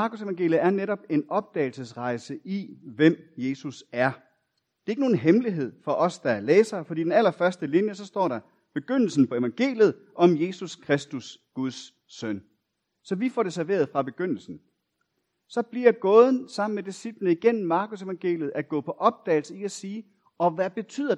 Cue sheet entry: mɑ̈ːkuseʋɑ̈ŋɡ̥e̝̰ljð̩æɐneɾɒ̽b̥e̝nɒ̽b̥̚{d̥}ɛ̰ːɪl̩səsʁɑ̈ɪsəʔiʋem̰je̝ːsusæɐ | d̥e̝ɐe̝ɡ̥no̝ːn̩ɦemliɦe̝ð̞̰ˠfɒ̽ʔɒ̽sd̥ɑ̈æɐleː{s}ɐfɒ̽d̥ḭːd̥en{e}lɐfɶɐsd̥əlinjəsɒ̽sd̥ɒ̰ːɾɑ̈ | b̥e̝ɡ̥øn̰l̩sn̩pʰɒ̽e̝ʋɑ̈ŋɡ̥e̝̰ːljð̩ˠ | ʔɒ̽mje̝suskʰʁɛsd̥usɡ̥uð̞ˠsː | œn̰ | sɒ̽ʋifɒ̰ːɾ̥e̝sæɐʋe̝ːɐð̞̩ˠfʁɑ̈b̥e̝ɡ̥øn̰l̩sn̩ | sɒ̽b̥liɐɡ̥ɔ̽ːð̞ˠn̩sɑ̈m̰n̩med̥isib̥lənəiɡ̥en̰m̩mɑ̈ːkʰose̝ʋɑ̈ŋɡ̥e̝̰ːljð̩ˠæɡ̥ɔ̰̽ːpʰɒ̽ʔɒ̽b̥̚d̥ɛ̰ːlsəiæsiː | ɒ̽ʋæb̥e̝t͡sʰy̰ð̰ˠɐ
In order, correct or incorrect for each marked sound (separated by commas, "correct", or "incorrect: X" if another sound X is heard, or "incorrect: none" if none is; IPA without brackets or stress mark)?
correct, correct, incorrect: æ